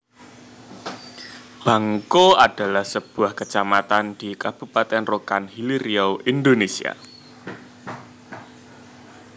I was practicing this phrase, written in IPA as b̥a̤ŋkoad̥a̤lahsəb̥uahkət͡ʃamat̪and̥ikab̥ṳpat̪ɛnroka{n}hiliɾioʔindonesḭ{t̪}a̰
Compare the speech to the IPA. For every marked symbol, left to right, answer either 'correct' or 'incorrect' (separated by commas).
correct, incorrect